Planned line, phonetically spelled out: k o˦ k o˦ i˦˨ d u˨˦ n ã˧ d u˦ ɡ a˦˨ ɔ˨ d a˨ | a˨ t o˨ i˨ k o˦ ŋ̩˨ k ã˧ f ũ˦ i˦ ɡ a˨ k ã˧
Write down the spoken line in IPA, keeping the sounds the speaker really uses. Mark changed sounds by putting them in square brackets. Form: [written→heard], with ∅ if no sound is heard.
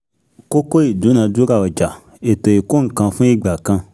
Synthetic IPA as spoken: k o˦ k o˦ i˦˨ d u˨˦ n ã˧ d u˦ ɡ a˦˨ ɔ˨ [d→d͡ʒ] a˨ | [a˨→e˨] t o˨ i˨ k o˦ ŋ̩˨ k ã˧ f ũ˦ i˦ [ɡ→ɡ͡b] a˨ k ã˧